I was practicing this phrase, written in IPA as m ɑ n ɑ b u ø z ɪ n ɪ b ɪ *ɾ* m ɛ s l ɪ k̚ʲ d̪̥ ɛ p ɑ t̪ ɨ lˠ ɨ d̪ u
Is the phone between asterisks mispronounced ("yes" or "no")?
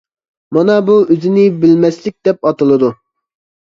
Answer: yes